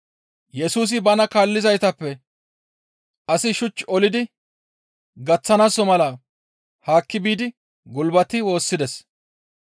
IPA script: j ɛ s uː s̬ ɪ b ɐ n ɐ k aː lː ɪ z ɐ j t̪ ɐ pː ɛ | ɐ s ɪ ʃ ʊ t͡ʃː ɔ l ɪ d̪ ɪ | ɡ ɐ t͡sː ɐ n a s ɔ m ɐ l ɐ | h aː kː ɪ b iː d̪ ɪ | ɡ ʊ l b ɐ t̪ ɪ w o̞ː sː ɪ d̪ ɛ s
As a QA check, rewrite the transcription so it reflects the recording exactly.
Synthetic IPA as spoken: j ɛ s uː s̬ ɪ b ɐ n ɐ k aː lː ɪ z ɐ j t̪ ɐ pː ɛ | ɐ s ɪ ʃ ʊ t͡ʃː ɔ l ɪ d̪ ɪ | ɡ ɐ t͡sː ɐ n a s ɔ m ɐ l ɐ | h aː kː ɪ b iː d̪ ɪ | ɡ ʊ l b ɐ t̪ ɪ w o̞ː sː ɪ d̪ ɛ s

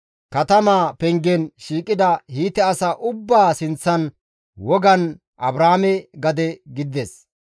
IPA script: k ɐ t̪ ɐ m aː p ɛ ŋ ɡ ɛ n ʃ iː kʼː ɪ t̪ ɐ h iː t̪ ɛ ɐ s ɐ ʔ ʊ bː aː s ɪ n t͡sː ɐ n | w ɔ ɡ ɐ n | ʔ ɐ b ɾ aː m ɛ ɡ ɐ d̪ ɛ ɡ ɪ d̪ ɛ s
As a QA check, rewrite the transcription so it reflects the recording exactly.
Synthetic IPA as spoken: k ɐ t̪ ɐ m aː p ɛ ŋ ɡ ɛ n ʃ iː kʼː ɪ d̪ ɐ h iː t̪ ɛ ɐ s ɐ ʔ ʊ bː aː s ɪ n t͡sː ɐ n | w ɔ ɡ ɐ n | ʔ ɐ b ɾ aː m ɛ ɡ ɐ d̪ ɛ ɡ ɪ d̪ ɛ s

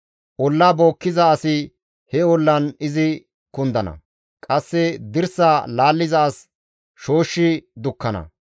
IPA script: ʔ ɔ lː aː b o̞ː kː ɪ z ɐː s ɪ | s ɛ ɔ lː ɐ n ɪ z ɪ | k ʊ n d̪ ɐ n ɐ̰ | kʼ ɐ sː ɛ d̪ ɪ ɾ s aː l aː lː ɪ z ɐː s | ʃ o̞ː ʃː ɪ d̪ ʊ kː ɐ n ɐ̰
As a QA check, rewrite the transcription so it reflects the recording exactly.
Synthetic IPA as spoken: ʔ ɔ lː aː b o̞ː kː ɪ z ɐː s ɪ | h ɛ ɔ lː ɐ n ɪ z ɪ | k ʊ n d̪ ɐ n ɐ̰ | kʼ ɐ sː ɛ d̪ ɪ ɾ s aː l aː lː ɪ z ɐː s | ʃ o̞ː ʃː ɪ d̪ ʊ kː ɐ n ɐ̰

